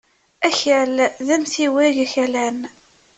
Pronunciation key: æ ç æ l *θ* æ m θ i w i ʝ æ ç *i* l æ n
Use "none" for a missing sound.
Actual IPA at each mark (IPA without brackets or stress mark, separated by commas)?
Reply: ð, æ